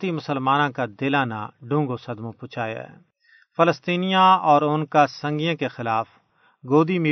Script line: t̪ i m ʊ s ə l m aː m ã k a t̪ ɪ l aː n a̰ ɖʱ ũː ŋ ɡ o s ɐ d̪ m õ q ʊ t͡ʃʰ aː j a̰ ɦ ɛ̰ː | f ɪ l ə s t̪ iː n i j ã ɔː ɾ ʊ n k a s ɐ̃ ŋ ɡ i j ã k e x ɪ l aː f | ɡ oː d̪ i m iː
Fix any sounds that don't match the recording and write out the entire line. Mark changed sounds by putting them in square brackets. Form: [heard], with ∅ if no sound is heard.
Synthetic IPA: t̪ i m ʊ s ə l m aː [n] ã k a [d̪] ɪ l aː n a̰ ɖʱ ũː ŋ ɡ o s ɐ d̪ m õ [p] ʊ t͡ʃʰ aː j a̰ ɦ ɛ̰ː | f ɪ l ə s t̪ iː n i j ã ɔː ɾ ʊ n k a s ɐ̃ ŋ ɡ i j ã k e x ɪ l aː f | ɡ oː d̪ i m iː